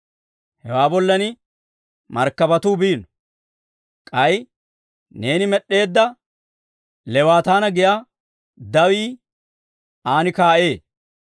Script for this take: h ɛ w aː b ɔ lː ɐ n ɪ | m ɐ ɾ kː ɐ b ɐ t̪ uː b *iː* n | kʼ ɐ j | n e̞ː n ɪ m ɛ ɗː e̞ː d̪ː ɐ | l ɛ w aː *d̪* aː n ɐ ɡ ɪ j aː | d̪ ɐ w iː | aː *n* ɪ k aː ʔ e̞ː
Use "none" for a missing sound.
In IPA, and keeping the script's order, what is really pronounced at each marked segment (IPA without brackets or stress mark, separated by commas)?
iː, t̪, n